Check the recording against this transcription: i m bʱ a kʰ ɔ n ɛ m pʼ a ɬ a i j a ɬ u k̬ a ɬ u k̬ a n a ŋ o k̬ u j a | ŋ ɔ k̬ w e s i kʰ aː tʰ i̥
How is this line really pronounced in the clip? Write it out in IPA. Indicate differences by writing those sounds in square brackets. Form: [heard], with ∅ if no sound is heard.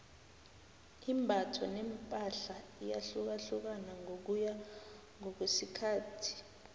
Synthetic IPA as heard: i m bʱ a [tʰ] ɔ n ɛ m pʼ a ɬ a i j a ɬ u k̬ a ɬ u k̬ a n a ŋ o k̬ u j a | ŋ ɔ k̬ w e s i kʰ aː tʰ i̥

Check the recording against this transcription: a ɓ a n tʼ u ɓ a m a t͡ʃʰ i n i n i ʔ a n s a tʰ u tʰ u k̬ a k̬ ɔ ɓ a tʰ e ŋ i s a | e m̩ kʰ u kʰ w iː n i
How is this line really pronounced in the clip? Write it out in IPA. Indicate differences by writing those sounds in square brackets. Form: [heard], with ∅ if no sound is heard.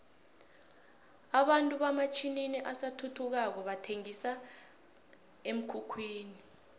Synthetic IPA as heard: a ɓ a n tʼ u ɓ a m a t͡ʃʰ i n i n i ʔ a [∅] s a tʰ u tʰ u k̬ a k̬ ɔ ɓ a tʰ e ŋ i s a | e m̩ kʰ u kʰ w iː n i

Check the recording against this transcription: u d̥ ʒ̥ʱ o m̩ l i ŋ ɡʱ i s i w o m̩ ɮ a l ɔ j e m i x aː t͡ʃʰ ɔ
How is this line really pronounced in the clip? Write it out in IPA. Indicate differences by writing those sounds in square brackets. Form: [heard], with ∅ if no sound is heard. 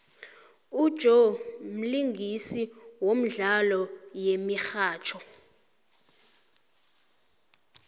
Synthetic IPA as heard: u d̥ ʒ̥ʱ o m̩ l i ŋ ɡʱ i s i w o m̩ ɮ a l ɔ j e m i x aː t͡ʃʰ ɔ

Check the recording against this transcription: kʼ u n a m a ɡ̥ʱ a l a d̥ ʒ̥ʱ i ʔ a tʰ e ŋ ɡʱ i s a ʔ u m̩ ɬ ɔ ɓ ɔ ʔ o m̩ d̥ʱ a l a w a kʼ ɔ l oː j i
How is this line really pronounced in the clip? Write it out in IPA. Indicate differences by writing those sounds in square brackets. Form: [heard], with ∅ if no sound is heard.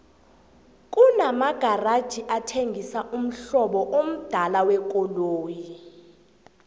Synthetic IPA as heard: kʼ u n a m a ɡ̥ʱ a [r] a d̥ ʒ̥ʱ i ʔ a tʰ e ŋ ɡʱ i s a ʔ u m̩ ɬ ɔ ɓ ɔ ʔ o m̩ d̥ʱ a l a w [ɛ] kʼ ɔ l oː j i

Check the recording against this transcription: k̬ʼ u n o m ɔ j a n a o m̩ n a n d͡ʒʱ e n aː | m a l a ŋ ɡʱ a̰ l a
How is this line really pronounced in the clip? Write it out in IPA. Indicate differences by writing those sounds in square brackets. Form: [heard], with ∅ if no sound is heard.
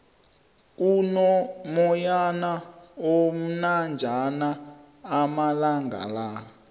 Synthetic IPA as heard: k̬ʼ u n [ɔ] m ɔ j a n a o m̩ n a n d͡ʒʱ [a] n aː | m a l a ŋ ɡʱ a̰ l a

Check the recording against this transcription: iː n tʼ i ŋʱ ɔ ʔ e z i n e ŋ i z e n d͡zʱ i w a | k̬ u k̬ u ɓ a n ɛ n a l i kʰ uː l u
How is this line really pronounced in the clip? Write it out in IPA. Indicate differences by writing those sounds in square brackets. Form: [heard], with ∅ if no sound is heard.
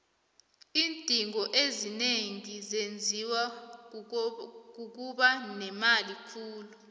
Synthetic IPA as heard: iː n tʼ i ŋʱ ɔ ʔ e z i n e ŋ i z e n d͡zʱ i w a | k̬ u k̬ u ɓ a n ɛ [m] a l i kʰ uː l u

